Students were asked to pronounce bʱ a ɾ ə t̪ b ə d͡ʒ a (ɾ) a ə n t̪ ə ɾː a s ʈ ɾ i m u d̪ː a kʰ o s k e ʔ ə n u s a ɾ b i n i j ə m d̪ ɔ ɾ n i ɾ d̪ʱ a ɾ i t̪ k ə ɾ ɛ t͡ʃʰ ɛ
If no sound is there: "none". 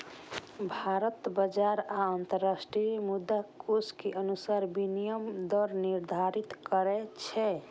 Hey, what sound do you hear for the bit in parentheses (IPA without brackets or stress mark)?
ɾ